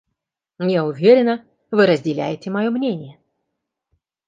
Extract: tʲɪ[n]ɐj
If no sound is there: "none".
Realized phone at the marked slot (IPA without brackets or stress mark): m